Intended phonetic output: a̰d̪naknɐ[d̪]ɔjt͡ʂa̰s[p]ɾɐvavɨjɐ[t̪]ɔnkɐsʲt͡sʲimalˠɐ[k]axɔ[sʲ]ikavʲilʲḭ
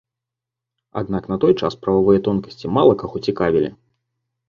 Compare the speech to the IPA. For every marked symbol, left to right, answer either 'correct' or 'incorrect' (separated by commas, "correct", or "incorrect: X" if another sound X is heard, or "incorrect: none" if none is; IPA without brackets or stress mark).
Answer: incorrect: t̪, correct, correct, correct, incorrect: t͡sʲ